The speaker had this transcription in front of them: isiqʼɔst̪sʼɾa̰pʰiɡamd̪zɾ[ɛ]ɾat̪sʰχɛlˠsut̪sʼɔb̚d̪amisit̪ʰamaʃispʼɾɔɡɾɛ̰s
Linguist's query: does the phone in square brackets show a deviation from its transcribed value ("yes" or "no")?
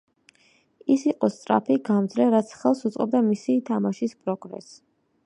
no